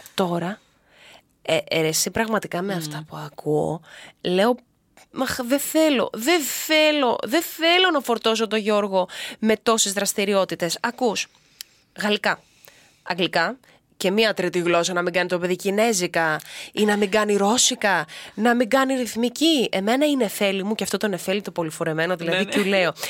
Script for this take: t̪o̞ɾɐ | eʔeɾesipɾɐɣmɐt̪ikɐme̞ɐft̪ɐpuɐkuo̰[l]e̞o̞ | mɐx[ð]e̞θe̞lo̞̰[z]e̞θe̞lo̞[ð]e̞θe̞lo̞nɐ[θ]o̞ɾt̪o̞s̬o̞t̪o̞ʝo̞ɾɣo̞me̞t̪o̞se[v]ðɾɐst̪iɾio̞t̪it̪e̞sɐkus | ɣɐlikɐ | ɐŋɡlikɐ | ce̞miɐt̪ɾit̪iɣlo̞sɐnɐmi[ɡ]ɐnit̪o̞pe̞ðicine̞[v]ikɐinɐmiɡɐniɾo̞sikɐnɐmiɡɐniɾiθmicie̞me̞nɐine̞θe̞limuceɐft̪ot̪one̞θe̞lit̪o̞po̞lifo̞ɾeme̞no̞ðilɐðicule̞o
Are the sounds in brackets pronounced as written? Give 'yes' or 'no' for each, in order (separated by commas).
yes, yes, no, yes, no, no, yes, no